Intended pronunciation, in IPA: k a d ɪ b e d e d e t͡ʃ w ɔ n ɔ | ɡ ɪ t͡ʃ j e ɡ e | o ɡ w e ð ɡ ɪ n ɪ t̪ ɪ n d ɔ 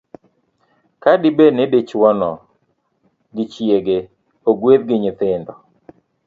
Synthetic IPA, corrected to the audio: k a d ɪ b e n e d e t͡ʃ w ɔ n ɔ | ɡ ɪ t͡ʃ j e ɡ e | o ɡ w e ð ɡ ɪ ɲ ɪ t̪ ɪ n d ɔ